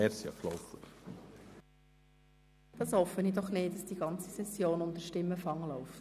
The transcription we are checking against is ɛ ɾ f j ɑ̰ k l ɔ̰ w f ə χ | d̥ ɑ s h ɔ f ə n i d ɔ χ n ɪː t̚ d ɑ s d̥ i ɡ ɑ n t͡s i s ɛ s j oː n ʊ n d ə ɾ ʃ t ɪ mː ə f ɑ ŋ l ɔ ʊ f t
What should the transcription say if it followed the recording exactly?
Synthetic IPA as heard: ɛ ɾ s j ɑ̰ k l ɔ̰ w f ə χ | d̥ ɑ s h ɔ f ə n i d ɔ χ n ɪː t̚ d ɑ s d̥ i ɡ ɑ n t͡s i s ɛ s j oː n ʊ n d ə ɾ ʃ t ɪ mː ə f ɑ ŋ l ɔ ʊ f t